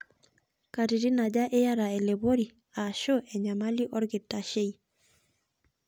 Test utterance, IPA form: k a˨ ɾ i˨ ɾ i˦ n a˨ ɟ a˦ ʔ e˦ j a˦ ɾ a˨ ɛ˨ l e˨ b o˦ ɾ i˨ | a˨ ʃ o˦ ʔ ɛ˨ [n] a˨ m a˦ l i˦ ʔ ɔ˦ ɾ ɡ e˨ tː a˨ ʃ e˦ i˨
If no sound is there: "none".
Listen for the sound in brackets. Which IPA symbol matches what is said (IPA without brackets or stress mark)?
ɲ